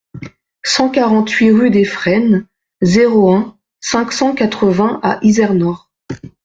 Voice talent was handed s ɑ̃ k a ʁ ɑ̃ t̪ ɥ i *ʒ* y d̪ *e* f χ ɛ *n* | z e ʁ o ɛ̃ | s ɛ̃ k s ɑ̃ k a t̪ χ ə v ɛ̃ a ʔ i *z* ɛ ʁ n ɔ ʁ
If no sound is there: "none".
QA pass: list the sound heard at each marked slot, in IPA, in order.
ʁ, e, n, z

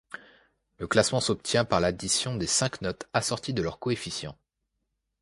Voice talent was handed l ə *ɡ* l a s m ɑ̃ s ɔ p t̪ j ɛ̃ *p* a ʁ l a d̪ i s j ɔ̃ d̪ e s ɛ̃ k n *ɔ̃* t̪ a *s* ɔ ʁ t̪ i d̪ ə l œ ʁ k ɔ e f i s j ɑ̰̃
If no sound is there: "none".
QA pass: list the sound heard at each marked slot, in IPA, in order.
k, p, ɔ, s

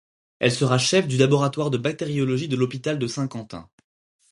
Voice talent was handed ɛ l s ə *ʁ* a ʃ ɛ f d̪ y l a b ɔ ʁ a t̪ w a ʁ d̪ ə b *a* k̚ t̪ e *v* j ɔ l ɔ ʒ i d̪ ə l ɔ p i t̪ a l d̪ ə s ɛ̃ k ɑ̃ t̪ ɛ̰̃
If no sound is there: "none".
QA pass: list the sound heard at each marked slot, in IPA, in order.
ʁ, a, ʁ

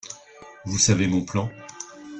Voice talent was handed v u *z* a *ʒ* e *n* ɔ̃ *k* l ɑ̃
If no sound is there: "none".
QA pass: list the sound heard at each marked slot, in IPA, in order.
s, v, m, p

